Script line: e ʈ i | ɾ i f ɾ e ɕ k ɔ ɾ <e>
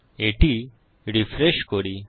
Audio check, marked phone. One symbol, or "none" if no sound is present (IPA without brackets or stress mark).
i